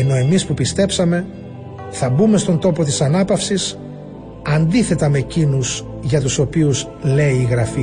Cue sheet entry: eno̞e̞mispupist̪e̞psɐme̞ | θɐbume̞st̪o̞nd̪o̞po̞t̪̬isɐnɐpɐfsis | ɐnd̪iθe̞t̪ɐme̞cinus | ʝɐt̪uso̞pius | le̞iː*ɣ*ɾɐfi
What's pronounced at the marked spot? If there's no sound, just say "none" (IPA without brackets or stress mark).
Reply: ɣ